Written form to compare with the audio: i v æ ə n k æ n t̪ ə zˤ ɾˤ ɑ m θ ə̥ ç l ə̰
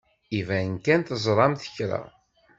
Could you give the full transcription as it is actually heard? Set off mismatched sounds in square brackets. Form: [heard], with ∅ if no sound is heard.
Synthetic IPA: i v æ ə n k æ n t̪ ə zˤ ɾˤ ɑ m θ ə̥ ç [ɾ] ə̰